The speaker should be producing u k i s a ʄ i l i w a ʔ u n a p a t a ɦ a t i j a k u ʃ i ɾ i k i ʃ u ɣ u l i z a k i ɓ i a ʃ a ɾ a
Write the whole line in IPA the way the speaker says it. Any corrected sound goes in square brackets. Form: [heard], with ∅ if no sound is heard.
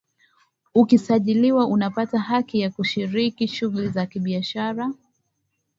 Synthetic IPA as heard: u k i s a ʄ i l i w a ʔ u n a p a t a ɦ a [k] i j a k u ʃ i ɾ i k i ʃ u ɣ u l i z a k i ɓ i a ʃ a ɾ a